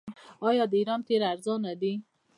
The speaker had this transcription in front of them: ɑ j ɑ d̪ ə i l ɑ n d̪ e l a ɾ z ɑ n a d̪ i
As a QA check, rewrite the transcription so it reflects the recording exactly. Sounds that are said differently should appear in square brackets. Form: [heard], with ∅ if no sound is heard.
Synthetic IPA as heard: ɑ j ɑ d̪ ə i [ɾ] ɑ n [t̪] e [ɾ] a ɾ z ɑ n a d̪ i